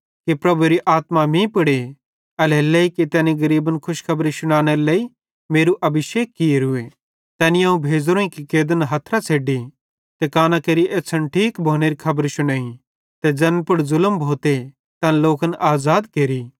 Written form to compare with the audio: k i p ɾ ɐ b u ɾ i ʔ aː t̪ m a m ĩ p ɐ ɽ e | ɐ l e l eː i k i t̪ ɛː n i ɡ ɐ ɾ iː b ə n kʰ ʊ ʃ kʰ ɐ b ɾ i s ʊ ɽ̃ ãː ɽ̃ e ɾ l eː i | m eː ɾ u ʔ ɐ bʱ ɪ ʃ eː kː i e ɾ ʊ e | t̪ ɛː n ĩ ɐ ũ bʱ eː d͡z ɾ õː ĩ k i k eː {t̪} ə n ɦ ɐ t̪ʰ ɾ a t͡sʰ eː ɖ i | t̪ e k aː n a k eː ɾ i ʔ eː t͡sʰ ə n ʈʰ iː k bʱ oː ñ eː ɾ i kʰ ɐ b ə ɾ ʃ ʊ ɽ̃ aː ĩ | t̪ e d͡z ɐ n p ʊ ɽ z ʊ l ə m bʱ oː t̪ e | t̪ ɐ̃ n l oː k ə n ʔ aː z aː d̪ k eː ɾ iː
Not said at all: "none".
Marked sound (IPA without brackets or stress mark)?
d̪